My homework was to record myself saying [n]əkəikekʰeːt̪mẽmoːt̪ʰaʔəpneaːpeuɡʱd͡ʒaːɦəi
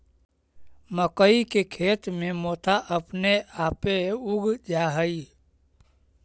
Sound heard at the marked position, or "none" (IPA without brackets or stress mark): m